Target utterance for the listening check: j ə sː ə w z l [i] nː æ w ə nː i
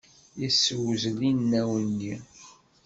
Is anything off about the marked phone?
no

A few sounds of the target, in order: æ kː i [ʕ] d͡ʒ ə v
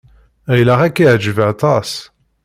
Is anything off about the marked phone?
no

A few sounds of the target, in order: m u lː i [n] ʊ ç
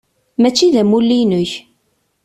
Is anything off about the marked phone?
no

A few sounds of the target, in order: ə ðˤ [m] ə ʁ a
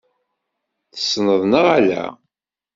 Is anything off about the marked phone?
yes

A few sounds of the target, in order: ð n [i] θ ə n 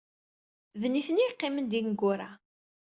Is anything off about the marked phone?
no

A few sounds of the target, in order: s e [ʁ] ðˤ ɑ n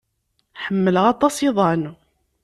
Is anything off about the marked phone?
yes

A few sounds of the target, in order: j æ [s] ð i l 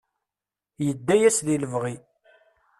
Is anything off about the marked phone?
no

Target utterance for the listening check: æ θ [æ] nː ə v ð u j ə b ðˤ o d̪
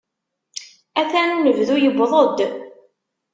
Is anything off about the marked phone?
no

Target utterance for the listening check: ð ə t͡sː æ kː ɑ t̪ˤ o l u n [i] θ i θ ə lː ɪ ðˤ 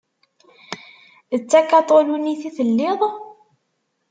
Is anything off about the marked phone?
no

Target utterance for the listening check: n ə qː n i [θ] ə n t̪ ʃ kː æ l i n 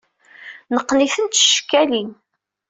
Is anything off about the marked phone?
no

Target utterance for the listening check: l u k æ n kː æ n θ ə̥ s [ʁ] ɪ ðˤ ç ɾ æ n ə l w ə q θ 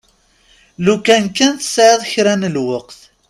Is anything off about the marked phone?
yes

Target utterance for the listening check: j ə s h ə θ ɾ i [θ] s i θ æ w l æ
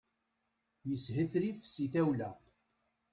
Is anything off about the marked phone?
yes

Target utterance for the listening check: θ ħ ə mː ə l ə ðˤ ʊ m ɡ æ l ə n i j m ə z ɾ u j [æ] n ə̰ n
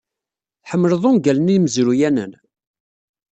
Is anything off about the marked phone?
no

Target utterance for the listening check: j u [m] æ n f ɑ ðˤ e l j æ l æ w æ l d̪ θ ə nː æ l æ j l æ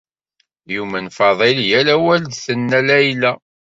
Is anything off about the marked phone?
no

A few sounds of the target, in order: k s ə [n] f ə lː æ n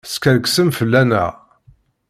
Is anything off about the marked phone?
yes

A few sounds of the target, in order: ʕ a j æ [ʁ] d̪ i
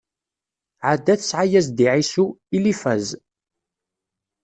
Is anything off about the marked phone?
yes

